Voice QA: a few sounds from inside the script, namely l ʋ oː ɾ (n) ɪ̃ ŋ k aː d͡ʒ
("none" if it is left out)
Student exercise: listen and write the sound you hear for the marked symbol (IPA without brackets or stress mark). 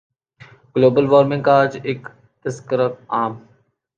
m